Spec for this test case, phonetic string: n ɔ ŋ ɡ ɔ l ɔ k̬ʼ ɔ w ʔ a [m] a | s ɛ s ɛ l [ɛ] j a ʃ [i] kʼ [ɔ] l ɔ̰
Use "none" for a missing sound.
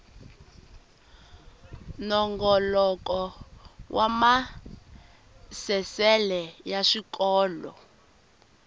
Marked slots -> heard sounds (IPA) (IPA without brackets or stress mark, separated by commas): m, ɛ, i, ɔː